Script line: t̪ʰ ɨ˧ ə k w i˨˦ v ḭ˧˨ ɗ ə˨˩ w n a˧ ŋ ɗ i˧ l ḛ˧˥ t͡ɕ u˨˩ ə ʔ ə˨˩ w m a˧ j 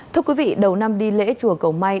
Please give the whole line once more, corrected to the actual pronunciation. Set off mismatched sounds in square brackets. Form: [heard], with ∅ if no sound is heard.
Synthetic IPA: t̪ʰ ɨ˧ ə k w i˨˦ v ḭ˧˨ ɗ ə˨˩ w n a˧ [m] ɗ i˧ l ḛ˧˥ t͡ɕ u˨˩ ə [k] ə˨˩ w m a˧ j